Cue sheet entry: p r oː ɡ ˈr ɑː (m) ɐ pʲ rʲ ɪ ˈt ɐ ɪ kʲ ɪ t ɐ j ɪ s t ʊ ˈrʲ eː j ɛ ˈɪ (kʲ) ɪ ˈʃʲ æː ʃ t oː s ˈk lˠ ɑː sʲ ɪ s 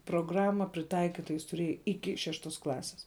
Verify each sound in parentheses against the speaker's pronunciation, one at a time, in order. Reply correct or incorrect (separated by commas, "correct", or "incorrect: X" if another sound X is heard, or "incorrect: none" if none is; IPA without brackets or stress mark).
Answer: correct, correct